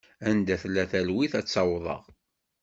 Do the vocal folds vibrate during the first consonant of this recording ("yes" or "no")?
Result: yes